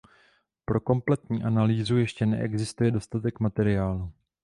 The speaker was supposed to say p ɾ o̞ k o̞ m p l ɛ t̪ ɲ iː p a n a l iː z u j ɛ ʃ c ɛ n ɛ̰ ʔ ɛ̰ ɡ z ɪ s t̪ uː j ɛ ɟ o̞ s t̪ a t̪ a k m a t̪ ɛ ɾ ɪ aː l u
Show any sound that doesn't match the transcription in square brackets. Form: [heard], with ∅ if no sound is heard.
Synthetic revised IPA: p ɾ o̞ k o̞ m p l ɛ t̪ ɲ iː [ʔ] a n a l iː z u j ɛ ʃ c ɛ n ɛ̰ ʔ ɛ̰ ɡ z ɪ s t̪ [u] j ɛ [d] o̞ s t̪ a t̪ [ɛ] k m a t̪ ɛ ɾ ɪ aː l u